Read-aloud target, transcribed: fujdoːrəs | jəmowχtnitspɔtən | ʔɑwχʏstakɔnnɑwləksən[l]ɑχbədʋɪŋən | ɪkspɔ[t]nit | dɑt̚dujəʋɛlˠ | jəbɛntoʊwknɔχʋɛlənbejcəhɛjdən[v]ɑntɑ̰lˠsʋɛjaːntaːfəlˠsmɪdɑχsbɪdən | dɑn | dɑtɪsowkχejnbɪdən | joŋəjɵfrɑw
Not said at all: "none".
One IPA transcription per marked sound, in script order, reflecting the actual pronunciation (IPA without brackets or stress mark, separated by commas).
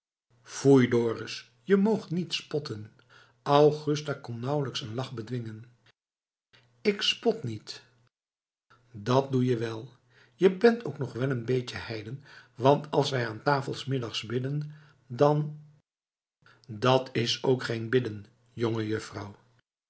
l, t, ʋ